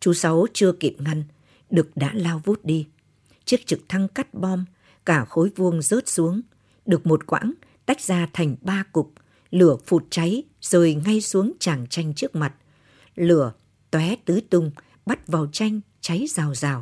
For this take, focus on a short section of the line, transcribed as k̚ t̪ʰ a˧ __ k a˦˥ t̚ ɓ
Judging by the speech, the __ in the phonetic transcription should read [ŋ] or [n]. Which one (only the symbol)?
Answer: ŋ